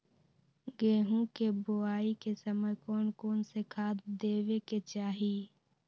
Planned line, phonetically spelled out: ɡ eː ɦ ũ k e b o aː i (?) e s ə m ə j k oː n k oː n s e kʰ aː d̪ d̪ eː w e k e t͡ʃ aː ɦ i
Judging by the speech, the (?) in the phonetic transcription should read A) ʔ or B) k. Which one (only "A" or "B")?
B